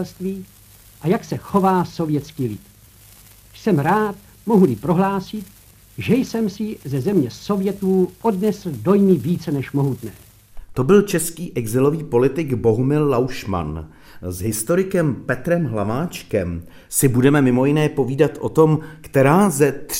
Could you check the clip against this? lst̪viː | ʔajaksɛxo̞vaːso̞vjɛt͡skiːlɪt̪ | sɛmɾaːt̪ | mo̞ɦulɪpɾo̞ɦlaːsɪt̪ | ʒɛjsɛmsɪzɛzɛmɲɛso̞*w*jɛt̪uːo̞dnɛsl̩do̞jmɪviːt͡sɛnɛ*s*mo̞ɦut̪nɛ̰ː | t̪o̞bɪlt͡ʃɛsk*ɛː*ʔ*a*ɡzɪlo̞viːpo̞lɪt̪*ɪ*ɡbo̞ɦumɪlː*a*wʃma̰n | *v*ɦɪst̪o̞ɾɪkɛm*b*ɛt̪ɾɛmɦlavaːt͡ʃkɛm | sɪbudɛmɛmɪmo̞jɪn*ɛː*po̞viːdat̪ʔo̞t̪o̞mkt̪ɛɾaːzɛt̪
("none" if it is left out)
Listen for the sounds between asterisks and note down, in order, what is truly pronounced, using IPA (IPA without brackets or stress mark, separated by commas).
v, ʃ, iː, ɛ, ɪ, a, z, p, ɛː